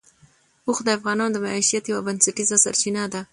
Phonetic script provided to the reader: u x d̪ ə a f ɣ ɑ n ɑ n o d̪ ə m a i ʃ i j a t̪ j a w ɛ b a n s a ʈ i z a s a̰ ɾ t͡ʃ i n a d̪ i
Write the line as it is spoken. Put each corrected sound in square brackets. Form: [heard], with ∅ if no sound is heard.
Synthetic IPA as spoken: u x d̪ ə a f ɣ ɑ n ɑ n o d̪ ə m a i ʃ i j a t̪ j a w [a] b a n s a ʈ i z a s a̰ ɾ t͡ʃ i n a d̪ [a]